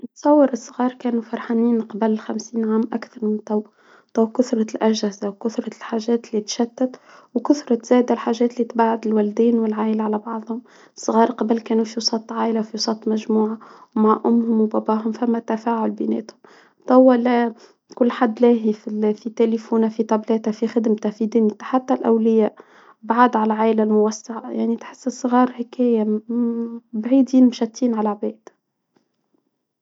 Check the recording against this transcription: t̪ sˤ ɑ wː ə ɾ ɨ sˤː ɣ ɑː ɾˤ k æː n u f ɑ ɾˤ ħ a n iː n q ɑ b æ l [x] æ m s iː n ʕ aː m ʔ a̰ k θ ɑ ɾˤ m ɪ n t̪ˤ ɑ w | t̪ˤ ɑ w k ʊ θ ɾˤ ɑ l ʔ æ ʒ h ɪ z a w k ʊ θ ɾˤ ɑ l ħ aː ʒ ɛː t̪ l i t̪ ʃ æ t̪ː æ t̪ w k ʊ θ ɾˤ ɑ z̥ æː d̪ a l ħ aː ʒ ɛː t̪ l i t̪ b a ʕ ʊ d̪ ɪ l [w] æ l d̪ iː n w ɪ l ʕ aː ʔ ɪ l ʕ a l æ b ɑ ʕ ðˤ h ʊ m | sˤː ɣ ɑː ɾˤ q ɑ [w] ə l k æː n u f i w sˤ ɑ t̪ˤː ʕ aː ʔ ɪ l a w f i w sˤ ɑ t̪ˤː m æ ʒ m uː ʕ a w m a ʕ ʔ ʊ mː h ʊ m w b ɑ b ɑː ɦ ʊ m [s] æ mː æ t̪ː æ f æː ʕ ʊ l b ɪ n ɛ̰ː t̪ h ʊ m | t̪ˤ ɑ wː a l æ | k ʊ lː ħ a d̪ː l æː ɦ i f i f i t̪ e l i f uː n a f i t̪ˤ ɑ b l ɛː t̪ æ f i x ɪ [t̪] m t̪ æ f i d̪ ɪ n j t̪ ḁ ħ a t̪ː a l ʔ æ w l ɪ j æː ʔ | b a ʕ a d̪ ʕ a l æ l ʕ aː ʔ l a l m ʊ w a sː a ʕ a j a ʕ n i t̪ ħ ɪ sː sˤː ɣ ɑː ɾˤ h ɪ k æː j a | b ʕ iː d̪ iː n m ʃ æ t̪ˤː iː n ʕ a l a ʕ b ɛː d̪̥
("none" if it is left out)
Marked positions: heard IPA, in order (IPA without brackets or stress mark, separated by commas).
x, w, b, f, d̪